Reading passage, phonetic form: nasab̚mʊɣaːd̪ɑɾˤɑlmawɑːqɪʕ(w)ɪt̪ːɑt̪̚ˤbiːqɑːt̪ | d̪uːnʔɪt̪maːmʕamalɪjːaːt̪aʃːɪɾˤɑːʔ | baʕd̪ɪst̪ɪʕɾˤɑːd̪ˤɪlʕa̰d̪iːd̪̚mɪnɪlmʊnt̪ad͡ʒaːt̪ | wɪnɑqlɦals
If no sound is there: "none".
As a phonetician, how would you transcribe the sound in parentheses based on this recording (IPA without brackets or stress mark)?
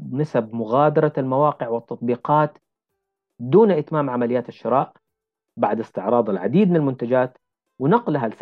w